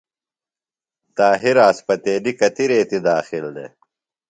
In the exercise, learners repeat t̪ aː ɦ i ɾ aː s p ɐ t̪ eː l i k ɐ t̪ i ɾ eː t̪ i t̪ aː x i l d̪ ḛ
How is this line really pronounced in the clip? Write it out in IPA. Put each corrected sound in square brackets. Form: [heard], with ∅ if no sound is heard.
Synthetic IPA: t̪ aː ɦ i ɾ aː s p ɐ t̪ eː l i k ɐ t̪ i ɾ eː t̪ i [d̪] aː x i l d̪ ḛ